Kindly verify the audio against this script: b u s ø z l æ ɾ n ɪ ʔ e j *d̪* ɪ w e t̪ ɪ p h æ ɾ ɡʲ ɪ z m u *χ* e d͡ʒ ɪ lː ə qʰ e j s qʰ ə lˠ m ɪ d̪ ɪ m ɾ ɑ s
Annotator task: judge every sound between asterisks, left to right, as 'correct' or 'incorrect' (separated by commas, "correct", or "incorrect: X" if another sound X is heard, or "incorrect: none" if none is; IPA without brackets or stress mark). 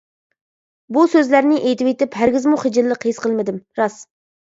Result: incorrect: t̪, correct